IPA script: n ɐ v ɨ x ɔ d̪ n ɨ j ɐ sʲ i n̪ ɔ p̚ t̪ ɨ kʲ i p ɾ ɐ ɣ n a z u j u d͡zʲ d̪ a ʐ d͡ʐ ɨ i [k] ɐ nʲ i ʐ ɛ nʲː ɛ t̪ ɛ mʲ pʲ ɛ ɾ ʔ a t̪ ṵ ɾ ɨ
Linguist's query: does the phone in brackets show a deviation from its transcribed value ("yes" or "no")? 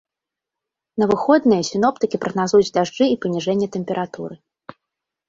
yes